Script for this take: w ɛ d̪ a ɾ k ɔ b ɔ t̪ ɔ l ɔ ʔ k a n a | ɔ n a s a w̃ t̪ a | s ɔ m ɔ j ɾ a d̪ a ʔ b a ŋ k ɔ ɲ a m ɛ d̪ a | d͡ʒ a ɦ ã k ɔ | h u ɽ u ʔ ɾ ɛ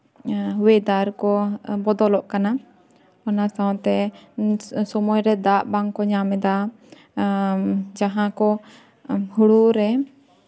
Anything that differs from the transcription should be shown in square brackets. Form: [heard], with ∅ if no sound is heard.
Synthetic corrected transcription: w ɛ d̪ a ɾ k ɔ b ɔ [d̪] ɔ l ɔ ʔ k a n a | ɔ n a s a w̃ t̪ [ɛ] | s ɔ m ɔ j ɾ [ɛ] d̪ a ʔ b a ŋ k ɔ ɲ a m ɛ d̪ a | d͡ʒ a ɦ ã k ɔ | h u ɽ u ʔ ɾ ɛ